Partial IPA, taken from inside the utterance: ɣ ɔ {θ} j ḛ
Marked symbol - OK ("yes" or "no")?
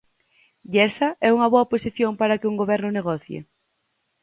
yes